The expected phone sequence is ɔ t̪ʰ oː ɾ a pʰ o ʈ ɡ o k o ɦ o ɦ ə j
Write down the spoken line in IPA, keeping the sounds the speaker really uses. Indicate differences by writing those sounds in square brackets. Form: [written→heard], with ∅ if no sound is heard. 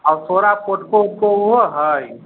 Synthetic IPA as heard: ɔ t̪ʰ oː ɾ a [pʰ→p] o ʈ [ɡ→k] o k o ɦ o ɦ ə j